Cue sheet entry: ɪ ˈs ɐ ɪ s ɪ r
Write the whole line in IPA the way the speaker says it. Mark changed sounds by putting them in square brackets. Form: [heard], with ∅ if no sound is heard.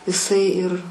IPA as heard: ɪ ˈs ɐ ɪ [∅] ɪ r